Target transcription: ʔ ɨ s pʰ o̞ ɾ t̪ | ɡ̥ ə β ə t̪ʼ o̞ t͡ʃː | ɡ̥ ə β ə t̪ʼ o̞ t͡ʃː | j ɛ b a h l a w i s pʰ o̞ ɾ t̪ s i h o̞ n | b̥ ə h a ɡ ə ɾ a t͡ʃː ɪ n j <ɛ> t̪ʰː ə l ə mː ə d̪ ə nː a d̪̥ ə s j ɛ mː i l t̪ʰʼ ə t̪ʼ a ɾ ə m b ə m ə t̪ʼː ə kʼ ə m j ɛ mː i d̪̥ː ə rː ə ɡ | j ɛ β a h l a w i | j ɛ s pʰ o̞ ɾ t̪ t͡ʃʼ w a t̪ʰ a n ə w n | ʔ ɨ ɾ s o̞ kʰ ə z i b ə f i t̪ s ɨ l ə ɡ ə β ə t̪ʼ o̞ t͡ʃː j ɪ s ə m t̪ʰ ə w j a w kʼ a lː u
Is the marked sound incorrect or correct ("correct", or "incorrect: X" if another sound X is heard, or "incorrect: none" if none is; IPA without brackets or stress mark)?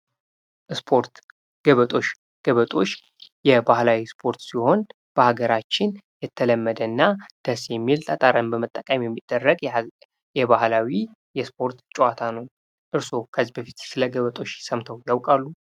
correct